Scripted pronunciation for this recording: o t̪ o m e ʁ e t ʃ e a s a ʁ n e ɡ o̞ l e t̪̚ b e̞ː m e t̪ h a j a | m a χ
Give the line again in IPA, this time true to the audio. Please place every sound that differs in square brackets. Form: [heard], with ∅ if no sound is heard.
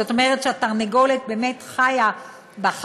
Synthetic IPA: o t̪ o m e ʁ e t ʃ e a [t] a ʁ n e ɡ o̞ l e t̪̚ b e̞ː m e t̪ [χ] a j a | [b] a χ

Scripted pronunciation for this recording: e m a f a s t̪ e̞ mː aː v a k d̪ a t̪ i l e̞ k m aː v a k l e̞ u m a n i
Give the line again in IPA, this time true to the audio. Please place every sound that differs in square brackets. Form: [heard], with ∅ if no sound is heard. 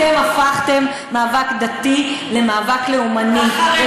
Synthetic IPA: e m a f a [χ] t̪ e̞ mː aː v a k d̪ a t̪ i l e̞ [∅] m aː v a k l e̞ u m a n i

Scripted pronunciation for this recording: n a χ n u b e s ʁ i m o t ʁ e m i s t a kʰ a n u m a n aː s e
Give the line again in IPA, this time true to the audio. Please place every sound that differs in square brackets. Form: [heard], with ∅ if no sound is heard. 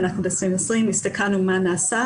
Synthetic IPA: n a χ n u b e s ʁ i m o [s] ʁ [i] m i s t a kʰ a n u m a n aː s [a]

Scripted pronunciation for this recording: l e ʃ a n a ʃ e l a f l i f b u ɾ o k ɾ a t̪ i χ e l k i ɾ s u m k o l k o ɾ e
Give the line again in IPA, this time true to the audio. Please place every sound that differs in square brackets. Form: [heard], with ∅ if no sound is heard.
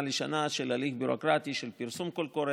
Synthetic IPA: l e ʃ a n a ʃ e l a [∅] l i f b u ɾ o k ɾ a t̪ i [ʃ] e l [p] i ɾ s u m k o l k o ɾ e

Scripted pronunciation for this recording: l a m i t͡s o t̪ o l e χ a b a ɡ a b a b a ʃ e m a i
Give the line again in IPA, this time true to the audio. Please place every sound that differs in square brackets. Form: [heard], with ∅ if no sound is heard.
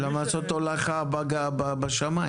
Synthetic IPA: l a m [a] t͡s o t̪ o l [a] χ a b a ɡ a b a b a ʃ [a] m a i

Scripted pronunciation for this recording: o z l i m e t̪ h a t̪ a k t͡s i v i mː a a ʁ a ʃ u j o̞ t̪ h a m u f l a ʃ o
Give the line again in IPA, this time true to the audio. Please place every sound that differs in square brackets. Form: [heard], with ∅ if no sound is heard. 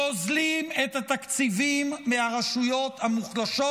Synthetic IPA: o z l i m e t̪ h a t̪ a k t͡s i v i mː [e] a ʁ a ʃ u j o̞ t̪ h a m u [χ] l a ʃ o

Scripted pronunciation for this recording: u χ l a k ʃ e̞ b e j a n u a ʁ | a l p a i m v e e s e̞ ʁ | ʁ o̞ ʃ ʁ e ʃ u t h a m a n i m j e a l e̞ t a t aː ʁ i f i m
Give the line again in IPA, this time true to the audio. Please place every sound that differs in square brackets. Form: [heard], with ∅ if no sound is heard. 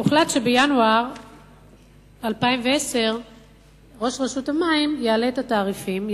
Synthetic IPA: u χ l a [t] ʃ e̞ b e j a n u a ʁ | a l p a i m v e e s e̞ ʁ | ʁ o̞ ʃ ʁ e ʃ u t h a m a [∅] i m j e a l e̞ t a t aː ʁ i f i m

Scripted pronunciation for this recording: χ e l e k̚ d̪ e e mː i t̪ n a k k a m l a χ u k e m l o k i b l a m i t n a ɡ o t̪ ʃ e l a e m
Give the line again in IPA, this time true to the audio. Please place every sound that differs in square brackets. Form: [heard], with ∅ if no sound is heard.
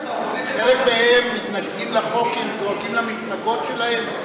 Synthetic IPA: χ e l e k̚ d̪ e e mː i t̪ n a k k [i] m l a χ [o] k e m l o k i [m] l a m i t n a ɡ o t̪ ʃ e l a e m

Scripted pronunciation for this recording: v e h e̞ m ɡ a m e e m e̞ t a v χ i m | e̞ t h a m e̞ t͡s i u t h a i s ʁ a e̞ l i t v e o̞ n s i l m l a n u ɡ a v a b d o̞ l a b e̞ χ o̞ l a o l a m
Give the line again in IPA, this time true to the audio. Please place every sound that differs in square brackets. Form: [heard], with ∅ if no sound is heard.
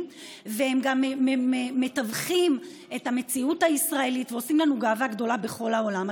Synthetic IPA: v e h e̞ m ɡ a m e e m e̞ t a v χ i m | e̞ t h a m e̞ t͡s i u t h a i s ʁ a e̞ l i t v e o̞ [∅] s i [∅] m l a n u ɡ a v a [ɡ] d o̞ l a b e̞ χ o̞ l a o l a m

